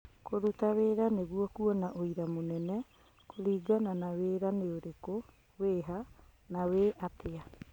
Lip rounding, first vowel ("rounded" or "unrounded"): rounded